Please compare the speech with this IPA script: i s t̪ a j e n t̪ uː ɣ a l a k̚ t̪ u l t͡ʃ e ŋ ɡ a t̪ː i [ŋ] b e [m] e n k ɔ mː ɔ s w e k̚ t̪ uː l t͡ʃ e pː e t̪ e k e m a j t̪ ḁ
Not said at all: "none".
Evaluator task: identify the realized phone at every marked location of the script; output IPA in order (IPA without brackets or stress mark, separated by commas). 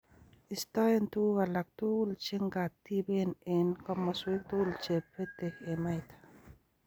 none, n